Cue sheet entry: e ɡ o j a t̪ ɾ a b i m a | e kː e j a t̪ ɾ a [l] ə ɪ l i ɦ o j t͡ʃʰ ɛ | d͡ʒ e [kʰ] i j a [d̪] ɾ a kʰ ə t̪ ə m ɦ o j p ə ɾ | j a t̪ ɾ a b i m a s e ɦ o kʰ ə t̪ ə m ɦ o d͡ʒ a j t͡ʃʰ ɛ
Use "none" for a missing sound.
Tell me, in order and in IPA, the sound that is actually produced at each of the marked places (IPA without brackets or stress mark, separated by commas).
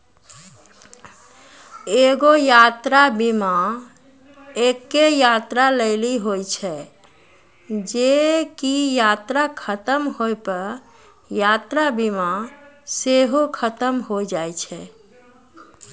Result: l, k, t̪